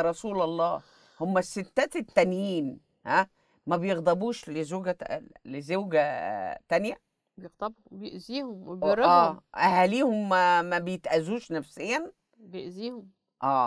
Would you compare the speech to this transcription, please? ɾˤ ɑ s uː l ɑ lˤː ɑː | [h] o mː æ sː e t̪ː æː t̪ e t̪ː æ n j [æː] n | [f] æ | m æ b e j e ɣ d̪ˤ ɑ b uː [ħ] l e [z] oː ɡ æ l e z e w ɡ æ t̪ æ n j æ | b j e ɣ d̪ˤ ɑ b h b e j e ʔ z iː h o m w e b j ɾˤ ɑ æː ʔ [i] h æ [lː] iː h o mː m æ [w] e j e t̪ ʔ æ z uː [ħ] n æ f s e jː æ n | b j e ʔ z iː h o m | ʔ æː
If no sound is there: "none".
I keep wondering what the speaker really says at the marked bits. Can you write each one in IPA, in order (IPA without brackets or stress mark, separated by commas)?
h, iː, h, ʃ, z, æ, l, b, ʃ